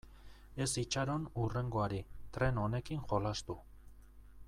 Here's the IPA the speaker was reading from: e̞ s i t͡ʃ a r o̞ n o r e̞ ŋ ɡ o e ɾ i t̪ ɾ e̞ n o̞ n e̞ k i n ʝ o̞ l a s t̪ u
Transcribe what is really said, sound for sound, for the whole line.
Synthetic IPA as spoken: e̞ s i t͡ʃ a ɾ o̞ n u r e̞ ŋ ɡ o a ɾ i t̪ ɾ e̞ n o̞ n e̞ k i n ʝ o̞ l a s t̪ u